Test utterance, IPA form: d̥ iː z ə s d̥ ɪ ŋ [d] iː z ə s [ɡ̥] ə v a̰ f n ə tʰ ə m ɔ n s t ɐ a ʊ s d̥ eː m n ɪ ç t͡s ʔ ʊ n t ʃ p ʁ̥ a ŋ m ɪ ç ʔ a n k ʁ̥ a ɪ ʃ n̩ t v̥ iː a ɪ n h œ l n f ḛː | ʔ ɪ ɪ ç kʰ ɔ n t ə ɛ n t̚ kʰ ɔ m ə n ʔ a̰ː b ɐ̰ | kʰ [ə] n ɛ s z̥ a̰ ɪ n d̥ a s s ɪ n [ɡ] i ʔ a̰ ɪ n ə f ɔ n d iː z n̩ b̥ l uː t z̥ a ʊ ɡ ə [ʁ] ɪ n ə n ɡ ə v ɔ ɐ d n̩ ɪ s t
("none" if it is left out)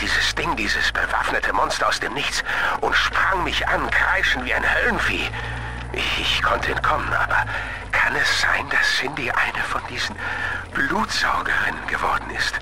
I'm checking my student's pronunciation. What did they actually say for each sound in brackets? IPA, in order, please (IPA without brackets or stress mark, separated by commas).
d, b̥, a, d, ʁ